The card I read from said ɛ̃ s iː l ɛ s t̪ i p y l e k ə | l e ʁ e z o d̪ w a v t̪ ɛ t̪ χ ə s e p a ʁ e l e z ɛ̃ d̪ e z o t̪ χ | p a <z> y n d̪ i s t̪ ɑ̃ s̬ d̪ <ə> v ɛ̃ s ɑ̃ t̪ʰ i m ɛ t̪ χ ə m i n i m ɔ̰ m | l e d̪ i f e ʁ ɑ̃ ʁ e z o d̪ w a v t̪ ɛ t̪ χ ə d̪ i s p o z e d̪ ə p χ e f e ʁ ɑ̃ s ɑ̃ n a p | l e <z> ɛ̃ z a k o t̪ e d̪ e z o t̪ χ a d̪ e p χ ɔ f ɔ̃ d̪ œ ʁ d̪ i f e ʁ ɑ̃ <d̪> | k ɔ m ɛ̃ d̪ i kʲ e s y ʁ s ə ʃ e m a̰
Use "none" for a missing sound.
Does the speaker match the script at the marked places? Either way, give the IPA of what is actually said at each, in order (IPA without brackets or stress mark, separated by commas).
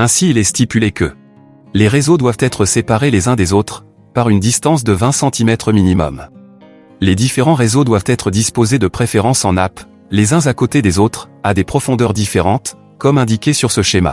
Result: ʁ, ə, z, t̪